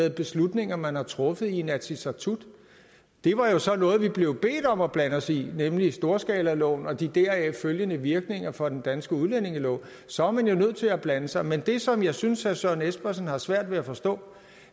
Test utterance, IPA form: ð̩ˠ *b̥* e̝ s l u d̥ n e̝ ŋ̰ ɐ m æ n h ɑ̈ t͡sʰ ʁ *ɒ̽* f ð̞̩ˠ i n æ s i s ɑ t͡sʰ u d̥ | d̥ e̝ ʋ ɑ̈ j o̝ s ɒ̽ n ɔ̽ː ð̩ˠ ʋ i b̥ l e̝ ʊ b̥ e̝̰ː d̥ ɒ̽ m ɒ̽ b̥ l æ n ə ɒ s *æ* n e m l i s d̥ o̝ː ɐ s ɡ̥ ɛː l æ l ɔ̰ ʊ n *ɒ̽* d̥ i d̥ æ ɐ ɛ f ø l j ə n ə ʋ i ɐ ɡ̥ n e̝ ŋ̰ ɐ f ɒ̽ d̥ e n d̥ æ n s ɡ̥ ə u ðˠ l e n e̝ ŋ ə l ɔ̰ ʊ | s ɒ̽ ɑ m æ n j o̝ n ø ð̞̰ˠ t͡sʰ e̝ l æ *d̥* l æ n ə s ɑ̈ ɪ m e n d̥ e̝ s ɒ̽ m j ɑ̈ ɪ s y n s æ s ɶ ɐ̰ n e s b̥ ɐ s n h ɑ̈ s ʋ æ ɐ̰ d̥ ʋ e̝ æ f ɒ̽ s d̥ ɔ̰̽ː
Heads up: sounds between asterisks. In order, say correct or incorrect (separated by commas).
correct, incorrect, incorrect, correct, incorrect